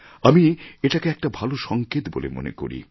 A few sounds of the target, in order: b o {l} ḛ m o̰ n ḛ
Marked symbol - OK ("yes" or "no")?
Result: yes